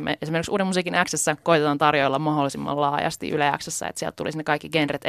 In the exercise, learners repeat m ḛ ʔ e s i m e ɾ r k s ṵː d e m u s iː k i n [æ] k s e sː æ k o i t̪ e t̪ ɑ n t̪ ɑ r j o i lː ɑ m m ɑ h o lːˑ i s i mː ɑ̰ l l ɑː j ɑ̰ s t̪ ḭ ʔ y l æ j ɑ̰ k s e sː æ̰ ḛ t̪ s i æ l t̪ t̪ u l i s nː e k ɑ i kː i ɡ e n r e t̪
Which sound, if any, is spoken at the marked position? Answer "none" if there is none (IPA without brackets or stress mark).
æ